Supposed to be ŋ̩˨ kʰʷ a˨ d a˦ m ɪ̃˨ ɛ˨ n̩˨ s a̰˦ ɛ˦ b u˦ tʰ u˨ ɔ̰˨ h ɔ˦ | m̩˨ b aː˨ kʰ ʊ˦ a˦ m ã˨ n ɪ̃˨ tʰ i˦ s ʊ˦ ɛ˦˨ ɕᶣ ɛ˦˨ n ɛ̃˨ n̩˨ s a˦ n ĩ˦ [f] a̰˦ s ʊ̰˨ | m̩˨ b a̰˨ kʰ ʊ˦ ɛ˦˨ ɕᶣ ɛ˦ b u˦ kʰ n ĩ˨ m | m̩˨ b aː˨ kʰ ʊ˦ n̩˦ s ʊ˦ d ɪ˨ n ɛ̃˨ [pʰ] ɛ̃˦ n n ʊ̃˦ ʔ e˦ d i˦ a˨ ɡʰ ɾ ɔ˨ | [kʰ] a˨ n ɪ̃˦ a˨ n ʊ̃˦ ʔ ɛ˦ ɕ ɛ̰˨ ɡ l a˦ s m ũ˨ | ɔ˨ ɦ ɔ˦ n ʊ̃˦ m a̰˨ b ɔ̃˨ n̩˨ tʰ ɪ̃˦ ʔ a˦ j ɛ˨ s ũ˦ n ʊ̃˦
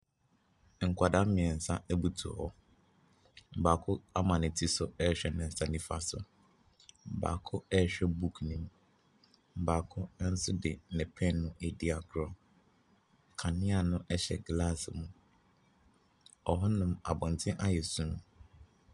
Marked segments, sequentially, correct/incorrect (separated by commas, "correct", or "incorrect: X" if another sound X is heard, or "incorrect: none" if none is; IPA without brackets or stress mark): correct, correct, correct